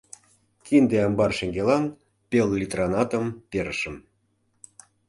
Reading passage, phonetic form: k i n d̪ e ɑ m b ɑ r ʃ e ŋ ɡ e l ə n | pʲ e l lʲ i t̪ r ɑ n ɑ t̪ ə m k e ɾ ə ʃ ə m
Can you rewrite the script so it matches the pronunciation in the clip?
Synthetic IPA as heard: k i n d̪ e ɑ m b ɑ r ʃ e ŋ ɡ e l ɑ n | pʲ e l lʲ i t̪ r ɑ n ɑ t̪ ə m p e ɾ ə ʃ ə m